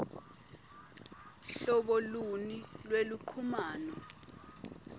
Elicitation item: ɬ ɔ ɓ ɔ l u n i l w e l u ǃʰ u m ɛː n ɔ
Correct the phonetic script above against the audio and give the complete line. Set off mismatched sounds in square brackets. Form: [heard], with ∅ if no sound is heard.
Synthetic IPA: ɬ ɔ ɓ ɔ l u n i l w e l u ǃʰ u m [aː] n ɔ